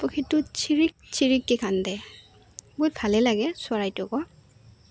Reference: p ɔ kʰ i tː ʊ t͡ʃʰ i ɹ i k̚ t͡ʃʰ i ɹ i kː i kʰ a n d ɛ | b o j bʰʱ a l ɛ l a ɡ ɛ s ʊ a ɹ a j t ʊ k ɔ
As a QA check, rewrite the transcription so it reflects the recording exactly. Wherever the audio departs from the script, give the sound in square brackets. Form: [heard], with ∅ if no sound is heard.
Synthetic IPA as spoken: p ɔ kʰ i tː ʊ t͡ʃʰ i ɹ i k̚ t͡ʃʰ i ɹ i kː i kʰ a n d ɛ | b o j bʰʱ a l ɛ l a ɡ ɛ s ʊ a ɹ a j t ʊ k ɔ